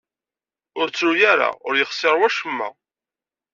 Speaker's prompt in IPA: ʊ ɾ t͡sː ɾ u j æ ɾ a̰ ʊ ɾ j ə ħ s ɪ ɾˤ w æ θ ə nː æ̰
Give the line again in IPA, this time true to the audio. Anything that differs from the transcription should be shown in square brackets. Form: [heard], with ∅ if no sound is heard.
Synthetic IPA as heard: ʊ ɾ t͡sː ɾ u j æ ɾ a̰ ʊ ɾ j ə [χ] s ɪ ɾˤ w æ [ʃ] ə [mː] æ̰